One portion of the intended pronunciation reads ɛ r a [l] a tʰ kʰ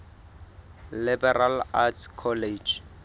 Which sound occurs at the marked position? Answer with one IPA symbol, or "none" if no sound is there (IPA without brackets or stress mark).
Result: l